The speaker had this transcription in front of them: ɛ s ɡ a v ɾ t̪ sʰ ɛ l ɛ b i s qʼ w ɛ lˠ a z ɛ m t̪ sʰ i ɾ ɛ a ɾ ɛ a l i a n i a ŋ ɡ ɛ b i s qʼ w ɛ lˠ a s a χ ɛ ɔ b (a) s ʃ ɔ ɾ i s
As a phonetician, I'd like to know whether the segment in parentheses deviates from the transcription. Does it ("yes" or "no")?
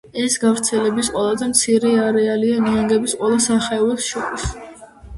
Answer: yes